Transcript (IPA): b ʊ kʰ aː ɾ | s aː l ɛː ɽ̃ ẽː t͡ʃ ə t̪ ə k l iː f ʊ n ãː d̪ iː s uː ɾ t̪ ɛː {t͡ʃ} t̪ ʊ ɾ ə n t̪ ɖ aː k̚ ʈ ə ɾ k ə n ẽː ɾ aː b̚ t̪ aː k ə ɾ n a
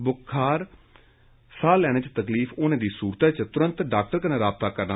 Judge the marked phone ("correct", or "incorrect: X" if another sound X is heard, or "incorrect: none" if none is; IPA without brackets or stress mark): correct